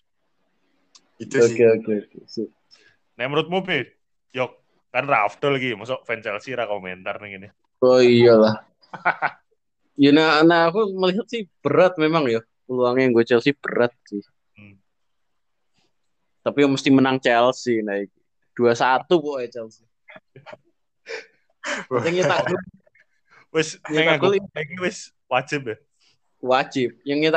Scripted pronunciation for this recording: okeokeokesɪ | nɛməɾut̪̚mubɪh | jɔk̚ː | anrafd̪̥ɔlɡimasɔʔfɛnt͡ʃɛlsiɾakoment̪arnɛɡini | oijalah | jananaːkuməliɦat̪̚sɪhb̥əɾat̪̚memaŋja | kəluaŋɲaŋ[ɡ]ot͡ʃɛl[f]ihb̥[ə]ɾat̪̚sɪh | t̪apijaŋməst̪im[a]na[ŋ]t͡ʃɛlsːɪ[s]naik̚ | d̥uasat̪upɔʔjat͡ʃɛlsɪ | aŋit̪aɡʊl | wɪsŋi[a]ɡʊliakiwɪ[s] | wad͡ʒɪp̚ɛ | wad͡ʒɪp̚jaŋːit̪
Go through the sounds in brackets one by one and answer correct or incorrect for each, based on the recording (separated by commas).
correct, incorrect, correct, incorrect, correct, incorrect, correct, correct